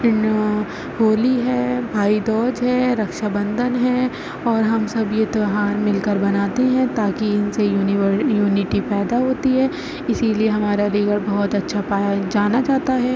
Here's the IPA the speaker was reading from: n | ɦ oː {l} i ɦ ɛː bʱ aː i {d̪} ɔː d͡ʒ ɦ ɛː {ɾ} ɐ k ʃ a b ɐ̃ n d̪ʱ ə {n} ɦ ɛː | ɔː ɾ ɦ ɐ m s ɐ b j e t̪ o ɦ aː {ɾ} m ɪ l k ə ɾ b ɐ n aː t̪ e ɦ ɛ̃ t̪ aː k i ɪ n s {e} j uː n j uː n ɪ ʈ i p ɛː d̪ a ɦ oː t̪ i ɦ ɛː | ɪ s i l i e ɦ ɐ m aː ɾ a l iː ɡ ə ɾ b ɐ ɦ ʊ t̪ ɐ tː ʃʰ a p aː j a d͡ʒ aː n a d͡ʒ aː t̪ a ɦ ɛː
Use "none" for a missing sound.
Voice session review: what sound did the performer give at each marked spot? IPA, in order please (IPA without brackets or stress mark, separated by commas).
l, d̪, ɾ, n, ɾ, e